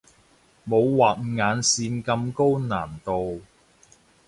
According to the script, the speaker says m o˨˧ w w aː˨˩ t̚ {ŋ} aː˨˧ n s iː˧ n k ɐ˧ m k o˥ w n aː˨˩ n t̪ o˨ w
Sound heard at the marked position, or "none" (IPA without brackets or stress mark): ŋ